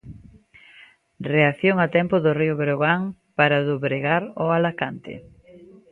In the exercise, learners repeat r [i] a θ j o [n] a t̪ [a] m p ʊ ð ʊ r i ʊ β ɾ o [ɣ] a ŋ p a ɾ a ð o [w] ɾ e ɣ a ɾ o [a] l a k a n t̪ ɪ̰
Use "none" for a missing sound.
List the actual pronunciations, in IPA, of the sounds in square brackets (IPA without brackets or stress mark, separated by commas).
e, ŋ, ɛ, ɣ, β, a